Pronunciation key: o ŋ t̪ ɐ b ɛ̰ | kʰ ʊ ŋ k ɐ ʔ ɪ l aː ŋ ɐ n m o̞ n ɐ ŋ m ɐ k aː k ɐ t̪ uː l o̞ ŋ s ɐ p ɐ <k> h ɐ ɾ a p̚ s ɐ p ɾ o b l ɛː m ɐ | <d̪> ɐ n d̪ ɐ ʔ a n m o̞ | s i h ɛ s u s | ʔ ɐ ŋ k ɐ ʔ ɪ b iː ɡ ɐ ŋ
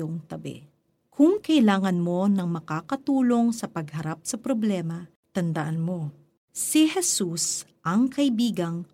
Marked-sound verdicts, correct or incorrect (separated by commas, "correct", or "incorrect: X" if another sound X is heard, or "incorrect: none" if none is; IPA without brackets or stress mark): incorrect: ɡ, incorrect: t̪